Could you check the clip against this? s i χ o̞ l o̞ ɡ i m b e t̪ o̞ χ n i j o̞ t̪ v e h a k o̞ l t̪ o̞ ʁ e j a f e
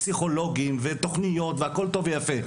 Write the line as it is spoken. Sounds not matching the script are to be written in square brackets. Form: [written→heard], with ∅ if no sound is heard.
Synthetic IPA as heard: s i χ o̞ l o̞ ɡ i m [b→v] e t̪ o̞ χ n i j o̞ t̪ v e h a k o̞ l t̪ o̞ [ʁ→v] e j a f e

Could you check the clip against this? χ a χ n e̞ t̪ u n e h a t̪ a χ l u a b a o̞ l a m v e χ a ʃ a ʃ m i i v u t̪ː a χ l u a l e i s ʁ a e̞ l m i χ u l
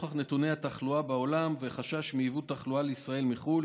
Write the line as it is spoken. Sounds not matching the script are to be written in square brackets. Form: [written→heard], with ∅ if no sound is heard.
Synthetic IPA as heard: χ a χ n e̞ t̪ u n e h a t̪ a χ l u a b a o̞ l a m v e χ a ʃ a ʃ m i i v u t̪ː a χ l u a l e i s ʁ a e̞ l m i χ u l

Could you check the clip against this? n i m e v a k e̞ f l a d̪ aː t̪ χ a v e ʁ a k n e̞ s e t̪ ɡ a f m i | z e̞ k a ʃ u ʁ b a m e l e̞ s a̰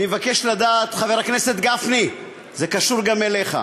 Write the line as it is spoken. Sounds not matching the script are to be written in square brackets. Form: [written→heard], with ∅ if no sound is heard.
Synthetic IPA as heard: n i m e v a k e̞ [f→ʃ] l a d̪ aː t̪ χ a v e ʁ a k n e̞ s e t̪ ɡ a f [m→n] i | z e̞ k a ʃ u ʁ [b→ɡ] a m e l e̞ [s→χ] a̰

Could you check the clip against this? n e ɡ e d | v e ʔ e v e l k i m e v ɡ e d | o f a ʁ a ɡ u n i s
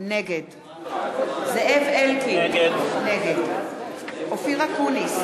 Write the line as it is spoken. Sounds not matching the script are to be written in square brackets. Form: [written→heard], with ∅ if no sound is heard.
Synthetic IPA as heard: n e ɡ e d | [v→z] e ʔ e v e l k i [m→n] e [v→∅] ɡ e d | o f [a→i] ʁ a [ɡ→k] u n i s

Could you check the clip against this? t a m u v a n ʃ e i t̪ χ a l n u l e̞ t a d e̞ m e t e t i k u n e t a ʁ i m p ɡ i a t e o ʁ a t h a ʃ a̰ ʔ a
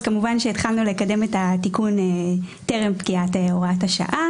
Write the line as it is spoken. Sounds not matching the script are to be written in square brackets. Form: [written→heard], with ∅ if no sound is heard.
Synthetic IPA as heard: [t→k] a m u v a n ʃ e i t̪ χ a l n u l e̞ [t→k] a d e̞ m e t [e→a] t i k u n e t [a→e] ʁ [i→e] m p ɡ i a t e o ʁ a t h a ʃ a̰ ʔ a

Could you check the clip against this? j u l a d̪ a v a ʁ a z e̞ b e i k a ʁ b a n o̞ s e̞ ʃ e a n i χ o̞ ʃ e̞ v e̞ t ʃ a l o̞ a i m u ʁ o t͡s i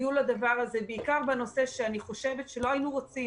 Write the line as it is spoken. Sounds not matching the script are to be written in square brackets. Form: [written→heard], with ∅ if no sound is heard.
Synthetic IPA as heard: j u l a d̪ a v a ʁ a z e̞ b e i k a ʁ b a n o̞ s e̞ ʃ e a n i χ o̞ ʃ e̞ v e̞ t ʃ [a→e] l o̞ a i [m→n] u ʁ o t͡s i

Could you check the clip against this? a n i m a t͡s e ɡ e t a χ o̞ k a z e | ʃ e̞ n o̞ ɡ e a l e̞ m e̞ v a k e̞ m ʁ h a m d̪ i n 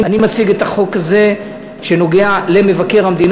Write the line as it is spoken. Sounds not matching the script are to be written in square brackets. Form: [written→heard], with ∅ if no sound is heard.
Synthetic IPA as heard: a n i m a t͡s [e→i] ɡ e t a χ o̞ k a z e | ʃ e̞ n o̞ ɡ e a l e̞ m e̞ v a k e̞ [m→∅] ʁ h a m d̪ i n

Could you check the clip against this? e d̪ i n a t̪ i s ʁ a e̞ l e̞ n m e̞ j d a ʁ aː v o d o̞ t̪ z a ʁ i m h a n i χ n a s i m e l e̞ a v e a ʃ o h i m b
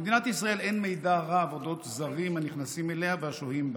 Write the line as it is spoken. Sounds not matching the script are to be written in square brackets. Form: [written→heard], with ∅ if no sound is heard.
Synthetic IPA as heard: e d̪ i n a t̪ i s ʁ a e̞ l e̞ n m e̞ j d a ʁ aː v o d o̞ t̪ z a ʁ i m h a n i χ n a s i m e l e̞ a v e a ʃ o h i m b

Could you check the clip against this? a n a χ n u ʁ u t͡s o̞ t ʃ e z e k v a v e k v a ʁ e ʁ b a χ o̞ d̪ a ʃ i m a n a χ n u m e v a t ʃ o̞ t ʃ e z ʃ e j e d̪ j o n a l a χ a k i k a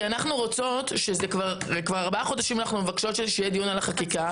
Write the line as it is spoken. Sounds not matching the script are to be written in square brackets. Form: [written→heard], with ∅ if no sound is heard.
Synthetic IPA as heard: a n a χ n u ʁ [u→o] t͡s o̞ t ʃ e z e k v a [v→ʁ] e k v a ʁ [e→a] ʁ b a χ o̞ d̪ a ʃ i m a n a χ n u m e v a [t→k] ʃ o̞ t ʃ e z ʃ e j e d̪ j o n a l a χ a k i k a

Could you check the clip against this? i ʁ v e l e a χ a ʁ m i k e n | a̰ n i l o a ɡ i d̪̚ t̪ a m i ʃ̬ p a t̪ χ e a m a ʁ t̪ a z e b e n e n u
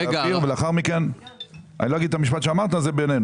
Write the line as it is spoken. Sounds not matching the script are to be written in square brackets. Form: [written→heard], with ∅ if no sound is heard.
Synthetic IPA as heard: i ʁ v e l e a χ a ʁ m i k e n | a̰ n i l o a ɡ i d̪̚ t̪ a m i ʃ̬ p a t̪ [χ→ʃ] e a m a ʁ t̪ a z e b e n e n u

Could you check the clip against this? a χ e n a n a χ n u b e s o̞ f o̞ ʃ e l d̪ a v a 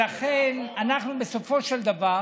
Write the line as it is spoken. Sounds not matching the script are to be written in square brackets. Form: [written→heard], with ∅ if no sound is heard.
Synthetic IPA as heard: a χ e n a n a χ n u b e s o̞ f o̞ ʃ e l d̪ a v a

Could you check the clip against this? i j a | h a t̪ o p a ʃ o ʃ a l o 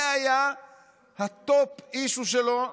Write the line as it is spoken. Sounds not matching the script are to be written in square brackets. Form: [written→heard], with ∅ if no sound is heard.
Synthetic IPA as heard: [i→a] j a | h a t̪ o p [a→i] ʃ [o→u] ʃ [a→e] l o

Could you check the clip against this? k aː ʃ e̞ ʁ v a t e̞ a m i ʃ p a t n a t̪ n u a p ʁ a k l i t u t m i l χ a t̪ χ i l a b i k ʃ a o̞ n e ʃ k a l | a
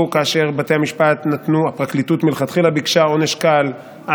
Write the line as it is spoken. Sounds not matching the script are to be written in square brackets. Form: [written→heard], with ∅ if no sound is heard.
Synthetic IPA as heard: k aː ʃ e̞ ʁ [v→b] a t e̞ a m i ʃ p a t n a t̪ n u a p ʁ a k l i t u t m i l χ a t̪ χ i l a b i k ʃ a o̞ n e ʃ k a l | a

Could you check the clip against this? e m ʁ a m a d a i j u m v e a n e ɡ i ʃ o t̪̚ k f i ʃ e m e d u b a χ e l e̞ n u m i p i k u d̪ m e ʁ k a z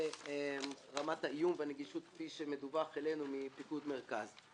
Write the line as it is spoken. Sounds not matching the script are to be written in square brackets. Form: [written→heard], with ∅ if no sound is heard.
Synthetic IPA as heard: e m ʁ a m a [d→t] a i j u m v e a n e ɡ i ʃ [o→u] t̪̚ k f i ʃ e m e d u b a χ e l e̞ n u m i p i k u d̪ m e ʁ k a z

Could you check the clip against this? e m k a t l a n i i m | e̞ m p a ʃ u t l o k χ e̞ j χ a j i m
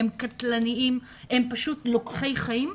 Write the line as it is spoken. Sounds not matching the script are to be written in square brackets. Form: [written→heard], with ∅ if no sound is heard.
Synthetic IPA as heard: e m k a t l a n i i m | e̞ m p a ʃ u t l o k χ e̞ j χ a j i m

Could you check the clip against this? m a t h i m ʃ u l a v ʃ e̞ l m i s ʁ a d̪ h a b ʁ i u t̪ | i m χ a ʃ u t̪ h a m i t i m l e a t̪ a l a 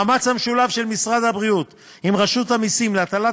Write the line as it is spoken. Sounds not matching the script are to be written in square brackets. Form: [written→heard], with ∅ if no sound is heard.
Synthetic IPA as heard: m a [t→t͡s] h [i→a] m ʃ u l a v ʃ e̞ l m i s ʁ a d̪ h a b ʁ i u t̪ | i m [χ→ʁ] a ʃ u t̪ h a m i [t→s] i m l e a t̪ a l a

